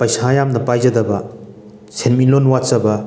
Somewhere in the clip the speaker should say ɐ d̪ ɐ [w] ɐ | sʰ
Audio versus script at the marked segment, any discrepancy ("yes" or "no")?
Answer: yes